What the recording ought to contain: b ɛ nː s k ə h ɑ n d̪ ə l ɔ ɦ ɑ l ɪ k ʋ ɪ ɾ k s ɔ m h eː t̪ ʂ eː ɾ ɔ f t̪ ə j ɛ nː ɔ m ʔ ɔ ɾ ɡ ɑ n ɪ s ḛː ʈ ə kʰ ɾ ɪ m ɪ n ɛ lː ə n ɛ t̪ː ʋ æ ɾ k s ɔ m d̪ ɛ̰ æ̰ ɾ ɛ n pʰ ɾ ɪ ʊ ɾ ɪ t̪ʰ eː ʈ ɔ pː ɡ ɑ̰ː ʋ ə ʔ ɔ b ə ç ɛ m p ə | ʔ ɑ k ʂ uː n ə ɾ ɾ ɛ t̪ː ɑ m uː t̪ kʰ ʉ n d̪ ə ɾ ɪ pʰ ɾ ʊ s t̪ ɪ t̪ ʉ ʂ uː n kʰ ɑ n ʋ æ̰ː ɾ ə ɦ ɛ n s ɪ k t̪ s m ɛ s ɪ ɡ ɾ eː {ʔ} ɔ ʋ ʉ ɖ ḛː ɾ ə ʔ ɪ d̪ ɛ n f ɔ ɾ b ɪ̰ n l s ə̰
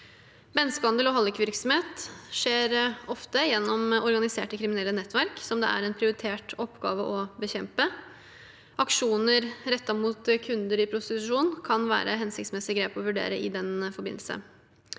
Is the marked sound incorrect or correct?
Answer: incorrect